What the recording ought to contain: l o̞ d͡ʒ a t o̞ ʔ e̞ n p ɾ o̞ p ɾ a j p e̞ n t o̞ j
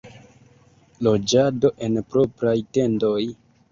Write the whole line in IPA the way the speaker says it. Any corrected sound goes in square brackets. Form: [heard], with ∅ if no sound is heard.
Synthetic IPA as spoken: l o̞ d͡ʒ a [d] o̞ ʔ e̞ n p ɾ o̞ p ɾ a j [t] e̞ n [d] o̞ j